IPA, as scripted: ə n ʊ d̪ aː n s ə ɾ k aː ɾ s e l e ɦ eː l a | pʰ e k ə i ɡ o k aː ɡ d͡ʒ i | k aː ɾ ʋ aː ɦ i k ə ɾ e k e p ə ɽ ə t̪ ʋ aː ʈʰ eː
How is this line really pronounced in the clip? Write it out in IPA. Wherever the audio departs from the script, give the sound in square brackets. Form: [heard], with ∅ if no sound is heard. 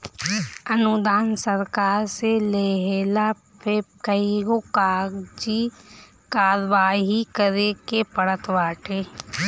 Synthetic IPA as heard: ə n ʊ d̪ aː n s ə ɾ k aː ɾ s e l e ɦ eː l a | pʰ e k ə i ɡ o k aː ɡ d͡ʒ i | k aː ɾ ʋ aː ɦ i k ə ɾ e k e p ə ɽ ə t̪ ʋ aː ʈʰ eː